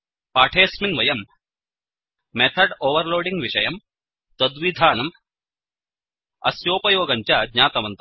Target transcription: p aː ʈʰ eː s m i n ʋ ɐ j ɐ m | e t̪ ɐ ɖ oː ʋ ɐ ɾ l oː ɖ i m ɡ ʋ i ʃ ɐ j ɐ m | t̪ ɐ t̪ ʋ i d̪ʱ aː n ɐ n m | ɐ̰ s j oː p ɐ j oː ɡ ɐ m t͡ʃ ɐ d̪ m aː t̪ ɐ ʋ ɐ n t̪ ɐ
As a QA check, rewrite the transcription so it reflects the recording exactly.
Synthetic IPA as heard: p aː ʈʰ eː s m i n ʋ ɐ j ɐ m | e t̪ʰ ɐ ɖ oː ʋ ɐ ɾ l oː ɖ i ŋ ɡ ʋ i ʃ ɐ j ɐ m | t̪ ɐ d̪ ʋ i d̪ʱ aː n ɐ m | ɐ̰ s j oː p ɐ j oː ɡ ɐ ɲ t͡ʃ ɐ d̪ ɲ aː t̪ ɐ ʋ ɐ n t̪ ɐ